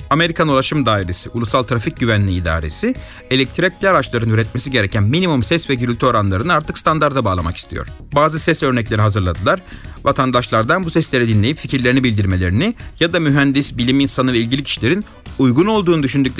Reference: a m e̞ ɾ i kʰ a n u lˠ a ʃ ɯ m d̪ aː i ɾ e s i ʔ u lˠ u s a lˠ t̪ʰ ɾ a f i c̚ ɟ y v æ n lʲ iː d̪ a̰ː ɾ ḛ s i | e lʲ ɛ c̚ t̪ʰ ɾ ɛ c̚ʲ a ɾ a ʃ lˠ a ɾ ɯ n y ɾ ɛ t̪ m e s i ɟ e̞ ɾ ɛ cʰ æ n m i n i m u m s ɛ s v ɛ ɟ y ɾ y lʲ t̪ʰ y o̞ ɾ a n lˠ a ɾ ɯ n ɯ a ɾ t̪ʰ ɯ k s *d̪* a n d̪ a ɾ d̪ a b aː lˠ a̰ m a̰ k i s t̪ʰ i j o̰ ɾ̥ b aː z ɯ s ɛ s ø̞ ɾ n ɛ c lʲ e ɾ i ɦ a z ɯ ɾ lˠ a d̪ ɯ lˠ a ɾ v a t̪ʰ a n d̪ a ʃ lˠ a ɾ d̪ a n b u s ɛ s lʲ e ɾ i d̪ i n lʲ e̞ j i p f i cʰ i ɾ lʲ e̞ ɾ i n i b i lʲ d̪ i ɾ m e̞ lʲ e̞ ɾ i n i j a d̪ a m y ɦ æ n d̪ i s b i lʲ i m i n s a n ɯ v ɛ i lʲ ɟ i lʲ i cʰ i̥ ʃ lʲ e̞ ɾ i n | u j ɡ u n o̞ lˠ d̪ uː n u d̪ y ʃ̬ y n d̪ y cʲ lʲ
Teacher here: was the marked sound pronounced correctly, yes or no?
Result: no